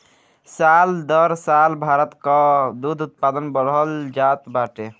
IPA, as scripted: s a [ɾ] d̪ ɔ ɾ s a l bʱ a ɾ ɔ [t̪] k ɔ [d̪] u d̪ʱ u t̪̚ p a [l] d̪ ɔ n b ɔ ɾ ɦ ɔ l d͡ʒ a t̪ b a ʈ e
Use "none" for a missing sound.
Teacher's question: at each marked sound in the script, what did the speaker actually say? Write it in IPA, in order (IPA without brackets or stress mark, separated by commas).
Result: l, t̪, d̪, none